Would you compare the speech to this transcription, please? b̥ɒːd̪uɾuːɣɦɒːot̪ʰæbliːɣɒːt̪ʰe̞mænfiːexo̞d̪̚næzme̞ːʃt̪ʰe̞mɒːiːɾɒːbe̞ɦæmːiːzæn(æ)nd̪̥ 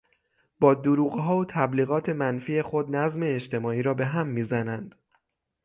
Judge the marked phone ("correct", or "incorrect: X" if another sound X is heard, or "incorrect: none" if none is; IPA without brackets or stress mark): correct